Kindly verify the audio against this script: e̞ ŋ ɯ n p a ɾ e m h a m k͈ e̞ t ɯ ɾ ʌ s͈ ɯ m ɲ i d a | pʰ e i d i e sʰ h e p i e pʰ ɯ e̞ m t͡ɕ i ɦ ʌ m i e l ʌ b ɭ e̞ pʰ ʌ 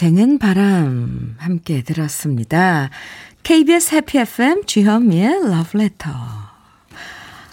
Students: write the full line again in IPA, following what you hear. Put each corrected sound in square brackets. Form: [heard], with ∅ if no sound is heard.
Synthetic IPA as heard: e̞ ŋ ɯ n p a ɾ [a] m h a m k͈ e̞ t ɯ ɾ ʌ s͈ ɯ m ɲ i d a | [kʰ] e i [b] i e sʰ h e [pʰ] i e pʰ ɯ e̞ m t͡ɕ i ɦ ʌ m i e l ʌ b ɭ e̞ [tʰ] ʌ